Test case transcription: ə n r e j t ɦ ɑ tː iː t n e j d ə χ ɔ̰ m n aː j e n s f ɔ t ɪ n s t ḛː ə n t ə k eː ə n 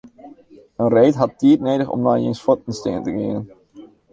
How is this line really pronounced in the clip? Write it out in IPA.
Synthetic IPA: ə n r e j t ɦ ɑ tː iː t n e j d ə χ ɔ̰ m n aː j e n s f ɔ t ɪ n s t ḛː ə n t ə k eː ə n